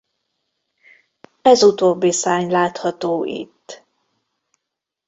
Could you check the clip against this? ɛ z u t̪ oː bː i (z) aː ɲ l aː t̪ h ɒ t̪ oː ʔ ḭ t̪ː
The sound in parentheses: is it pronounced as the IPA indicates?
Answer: no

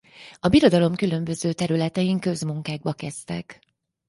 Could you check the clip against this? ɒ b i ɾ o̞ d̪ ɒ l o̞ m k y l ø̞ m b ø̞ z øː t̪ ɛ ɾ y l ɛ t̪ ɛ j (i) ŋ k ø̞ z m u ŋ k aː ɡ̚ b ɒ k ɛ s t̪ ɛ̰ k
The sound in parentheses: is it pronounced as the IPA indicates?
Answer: yes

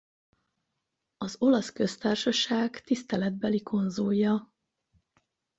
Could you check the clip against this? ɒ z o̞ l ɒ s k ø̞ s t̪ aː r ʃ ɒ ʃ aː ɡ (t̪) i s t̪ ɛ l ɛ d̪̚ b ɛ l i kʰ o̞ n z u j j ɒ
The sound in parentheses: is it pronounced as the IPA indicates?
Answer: yes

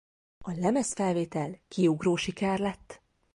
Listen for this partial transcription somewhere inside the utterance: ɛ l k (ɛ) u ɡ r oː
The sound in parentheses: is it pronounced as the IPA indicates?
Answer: no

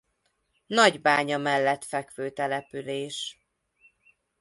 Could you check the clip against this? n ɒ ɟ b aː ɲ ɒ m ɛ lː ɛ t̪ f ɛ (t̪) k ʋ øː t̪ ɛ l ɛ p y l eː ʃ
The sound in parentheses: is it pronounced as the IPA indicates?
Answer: no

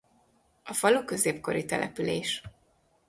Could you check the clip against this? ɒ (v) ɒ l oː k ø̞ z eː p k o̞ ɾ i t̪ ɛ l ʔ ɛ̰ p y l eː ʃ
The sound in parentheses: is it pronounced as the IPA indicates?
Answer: no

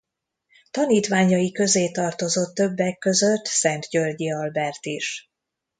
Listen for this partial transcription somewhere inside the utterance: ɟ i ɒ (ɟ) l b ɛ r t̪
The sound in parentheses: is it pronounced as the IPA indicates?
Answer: no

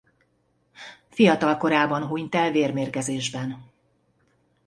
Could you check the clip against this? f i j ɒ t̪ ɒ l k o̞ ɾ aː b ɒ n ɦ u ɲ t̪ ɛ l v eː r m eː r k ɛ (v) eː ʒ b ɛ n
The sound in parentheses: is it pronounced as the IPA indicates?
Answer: no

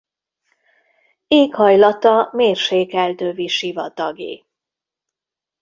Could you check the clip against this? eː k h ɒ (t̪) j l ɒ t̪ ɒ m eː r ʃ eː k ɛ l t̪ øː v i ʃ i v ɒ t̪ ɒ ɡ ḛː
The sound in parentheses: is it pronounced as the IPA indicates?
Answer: no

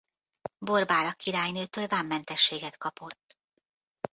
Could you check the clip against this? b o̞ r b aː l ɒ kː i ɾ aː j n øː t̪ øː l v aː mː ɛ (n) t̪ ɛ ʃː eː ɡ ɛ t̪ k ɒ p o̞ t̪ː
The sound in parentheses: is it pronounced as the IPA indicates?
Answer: yes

